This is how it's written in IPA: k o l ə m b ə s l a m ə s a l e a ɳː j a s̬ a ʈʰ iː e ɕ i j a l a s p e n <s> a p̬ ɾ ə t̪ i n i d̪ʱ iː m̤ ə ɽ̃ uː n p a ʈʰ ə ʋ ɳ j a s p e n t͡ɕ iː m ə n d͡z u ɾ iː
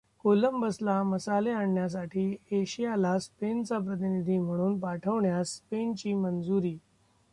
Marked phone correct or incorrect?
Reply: incorrect